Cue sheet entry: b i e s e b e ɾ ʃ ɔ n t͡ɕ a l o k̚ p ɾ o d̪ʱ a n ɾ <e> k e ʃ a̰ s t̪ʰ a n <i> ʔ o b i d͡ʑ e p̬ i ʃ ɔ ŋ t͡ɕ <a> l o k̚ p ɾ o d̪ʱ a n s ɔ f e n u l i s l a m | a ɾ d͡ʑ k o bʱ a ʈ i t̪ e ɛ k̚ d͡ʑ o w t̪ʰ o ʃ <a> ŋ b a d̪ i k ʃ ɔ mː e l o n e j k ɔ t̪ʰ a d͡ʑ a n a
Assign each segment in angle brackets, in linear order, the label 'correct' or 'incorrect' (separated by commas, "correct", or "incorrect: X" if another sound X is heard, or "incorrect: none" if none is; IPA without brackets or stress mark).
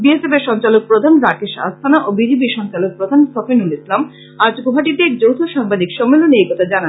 incorrect: a, incorrect: a, correct, correct